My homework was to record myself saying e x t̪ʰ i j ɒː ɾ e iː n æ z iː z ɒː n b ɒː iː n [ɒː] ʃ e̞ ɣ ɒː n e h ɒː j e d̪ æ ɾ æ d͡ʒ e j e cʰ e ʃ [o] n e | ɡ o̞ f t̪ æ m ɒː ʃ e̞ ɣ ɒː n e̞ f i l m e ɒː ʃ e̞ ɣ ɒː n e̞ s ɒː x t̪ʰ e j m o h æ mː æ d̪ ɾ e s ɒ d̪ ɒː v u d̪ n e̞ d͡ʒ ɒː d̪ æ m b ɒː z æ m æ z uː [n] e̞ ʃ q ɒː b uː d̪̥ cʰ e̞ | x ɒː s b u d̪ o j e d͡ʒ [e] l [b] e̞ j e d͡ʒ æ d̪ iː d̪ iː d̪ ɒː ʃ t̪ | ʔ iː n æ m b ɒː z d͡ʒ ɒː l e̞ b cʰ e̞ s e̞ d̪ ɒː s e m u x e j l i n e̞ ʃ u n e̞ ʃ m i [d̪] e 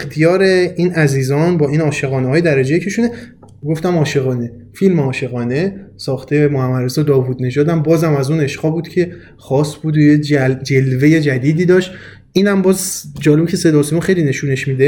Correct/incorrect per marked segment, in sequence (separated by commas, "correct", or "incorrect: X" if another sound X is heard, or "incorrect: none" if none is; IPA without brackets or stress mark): correct, incorrect: u, correct, correct, incorrect: v, correct